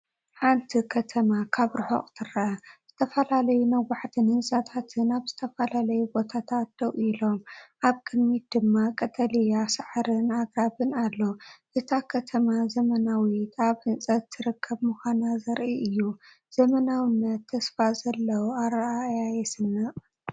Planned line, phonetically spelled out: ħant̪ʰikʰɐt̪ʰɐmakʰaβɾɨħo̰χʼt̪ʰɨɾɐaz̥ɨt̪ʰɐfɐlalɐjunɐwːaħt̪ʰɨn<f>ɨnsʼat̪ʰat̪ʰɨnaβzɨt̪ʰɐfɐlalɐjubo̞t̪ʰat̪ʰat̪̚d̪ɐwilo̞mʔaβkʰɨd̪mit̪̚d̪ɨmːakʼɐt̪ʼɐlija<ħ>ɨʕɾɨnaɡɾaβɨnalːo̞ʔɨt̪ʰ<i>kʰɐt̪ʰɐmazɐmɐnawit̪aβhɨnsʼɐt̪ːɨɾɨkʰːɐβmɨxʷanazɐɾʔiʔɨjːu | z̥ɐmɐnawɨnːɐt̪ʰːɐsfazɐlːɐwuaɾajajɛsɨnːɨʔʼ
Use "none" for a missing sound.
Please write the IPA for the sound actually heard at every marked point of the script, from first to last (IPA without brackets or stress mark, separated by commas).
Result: h, s, a